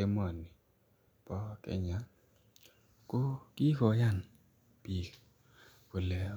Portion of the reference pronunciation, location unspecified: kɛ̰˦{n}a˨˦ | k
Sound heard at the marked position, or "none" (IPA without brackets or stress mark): ɲ